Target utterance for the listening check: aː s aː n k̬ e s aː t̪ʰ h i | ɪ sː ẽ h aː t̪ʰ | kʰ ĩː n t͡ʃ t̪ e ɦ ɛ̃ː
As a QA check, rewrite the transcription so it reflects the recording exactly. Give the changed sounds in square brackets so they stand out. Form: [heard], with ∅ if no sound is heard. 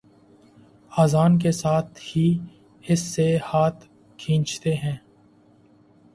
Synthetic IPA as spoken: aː [z] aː n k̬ e s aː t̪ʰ h i | ɪ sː [e] h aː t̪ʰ | kʰ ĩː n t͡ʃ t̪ e ɦ ɛ̃ː

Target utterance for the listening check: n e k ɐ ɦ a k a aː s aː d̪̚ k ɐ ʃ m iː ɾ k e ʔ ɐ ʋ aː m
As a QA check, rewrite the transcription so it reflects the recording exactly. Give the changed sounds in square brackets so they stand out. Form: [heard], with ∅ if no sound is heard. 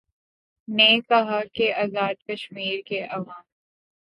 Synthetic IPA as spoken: n e k ɐ ɦ a k [e] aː [z] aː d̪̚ k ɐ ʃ m iː ɾ k e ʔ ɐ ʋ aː m

